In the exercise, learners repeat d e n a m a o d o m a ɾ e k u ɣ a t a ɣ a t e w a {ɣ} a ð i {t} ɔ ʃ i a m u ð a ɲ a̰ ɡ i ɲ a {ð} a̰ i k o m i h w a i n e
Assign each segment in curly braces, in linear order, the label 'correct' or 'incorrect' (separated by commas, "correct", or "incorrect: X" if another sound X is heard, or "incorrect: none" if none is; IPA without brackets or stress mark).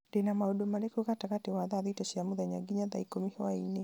incorrect: ð, correct, correct